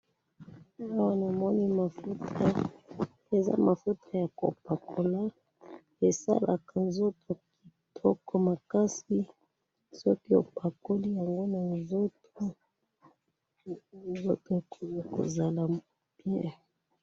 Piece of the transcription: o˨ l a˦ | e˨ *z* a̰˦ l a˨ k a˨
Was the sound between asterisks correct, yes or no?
no